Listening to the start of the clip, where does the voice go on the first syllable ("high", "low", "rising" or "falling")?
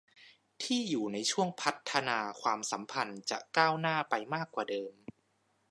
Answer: falling